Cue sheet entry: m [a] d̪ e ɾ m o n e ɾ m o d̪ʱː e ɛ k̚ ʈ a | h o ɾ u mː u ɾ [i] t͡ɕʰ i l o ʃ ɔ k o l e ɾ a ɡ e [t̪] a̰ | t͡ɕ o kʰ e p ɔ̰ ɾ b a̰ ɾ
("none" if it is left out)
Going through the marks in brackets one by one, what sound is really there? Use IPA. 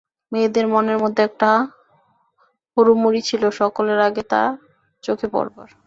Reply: e, i, t̪

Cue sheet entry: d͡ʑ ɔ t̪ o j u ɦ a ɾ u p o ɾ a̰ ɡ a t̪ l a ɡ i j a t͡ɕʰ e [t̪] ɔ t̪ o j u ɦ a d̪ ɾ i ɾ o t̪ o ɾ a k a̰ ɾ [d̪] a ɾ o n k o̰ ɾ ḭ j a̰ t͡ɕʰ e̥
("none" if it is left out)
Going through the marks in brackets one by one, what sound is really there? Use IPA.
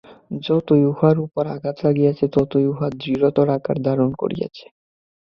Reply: t̪, d̪

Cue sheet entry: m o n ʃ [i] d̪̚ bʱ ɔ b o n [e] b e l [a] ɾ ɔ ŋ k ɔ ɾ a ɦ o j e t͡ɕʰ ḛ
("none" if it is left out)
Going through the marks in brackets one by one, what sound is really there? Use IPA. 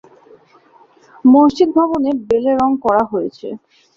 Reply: i, e, e

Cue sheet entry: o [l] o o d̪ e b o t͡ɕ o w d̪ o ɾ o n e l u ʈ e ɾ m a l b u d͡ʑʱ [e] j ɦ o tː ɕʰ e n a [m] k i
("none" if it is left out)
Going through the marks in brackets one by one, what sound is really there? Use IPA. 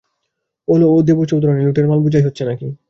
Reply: l, a, none

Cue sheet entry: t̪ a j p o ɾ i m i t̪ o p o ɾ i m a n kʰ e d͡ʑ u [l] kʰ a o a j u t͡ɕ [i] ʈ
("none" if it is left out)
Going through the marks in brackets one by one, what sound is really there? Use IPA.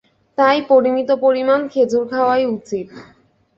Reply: ɾ, i

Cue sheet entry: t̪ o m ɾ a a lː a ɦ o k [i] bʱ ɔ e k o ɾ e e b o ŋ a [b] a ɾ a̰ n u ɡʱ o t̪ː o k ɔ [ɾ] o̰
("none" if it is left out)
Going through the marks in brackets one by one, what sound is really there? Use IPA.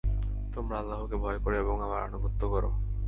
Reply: e, m, ɾ

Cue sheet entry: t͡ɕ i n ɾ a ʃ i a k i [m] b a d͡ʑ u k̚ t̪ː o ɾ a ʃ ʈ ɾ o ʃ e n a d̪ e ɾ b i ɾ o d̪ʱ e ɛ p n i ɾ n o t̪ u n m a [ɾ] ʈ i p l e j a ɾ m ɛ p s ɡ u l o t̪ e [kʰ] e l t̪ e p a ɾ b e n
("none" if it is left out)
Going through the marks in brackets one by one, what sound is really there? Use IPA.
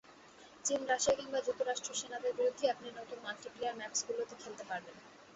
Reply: ŋ, l, kʰ

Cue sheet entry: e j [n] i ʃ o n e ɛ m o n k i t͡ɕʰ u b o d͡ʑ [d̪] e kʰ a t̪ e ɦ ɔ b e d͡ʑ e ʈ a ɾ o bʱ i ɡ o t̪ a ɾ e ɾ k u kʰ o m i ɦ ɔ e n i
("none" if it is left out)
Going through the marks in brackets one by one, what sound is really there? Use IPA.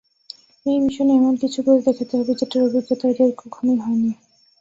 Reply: m, d̪

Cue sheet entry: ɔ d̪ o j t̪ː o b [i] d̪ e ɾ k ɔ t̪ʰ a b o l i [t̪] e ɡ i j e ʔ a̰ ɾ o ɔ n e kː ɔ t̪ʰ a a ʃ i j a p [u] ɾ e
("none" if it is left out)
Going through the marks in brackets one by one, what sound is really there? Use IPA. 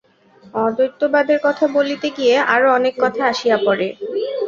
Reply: a, t̪, ɔ

